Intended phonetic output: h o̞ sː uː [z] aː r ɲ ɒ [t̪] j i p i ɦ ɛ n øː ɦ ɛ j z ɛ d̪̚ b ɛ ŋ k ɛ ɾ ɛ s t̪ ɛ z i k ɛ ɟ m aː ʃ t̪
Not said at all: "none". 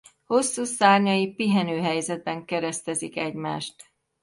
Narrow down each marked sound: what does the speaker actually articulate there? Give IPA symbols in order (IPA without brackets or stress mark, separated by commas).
s, none